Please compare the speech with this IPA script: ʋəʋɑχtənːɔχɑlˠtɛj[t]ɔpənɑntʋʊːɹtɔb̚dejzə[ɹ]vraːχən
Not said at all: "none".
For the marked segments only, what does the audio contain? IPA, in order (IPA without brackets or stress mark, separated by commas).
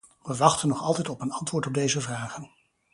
t, none